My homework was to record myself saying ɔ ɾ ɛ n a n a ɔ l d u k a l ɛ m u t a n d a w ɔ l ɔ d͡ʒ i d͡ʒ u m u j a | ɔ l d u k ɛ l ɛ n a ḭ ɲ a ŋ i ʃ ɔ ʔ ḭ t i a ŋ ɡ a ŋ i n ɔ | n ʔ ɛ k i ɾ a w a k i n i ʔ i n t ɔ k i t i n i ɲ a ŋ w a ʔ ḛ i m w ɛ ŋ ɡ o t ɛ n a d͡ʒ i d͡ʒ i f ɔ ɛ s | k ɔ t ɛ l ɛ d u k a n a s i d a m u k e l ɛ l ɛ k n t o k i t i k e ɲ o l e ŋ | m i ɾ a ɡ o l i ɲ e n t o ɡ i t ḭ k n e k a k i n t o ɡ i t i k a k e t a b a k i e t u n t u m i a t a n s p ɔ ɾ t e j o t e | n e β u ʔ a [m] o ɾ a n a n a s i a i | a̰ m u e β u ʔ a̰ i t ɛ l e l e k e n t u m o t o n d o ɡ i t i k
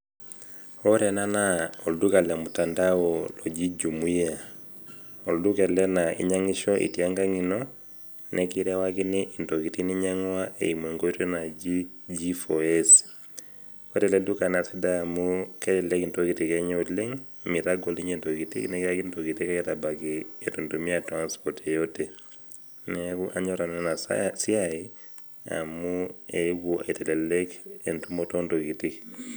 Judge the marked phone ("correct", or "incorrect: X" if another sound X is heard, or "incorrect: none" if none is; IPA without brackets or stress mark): incorrect: ɲ